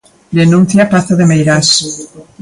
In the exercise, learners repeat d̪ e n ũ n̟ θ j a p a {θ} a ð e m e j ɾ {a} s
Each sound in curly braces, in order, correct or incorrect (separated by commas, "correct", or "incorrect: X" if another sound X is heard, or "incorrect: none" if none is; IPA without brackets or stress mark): correct, correct